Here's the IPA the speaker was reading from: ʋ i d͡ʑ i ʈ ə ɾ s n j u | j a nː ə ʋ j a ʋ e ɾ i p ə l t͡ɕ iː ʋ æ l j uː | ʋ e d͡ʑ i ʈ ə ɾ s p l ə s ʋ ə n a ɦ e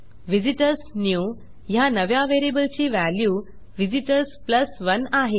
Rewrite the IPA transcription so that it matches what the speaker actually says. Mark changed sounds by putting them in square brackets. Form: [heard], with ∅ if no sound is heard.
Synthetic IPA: ʋ i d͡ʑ i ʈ ə ɾ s n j u | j a [n] ə ʋ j a ʋ e ɾ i [b] ə l t͡ɕ iː ʋ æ l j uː | ʋ [i] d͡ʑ i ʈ ə ɾ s p l ə s ʋ ə n a ɦ e